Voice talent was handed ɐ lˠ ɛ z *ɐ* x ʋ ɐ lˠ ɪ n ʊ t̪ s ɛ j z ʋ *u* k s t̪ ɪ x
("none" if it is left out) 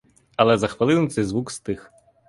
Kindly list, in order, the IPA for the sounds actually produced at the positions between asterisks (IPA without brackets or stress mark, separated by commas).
ɐ, u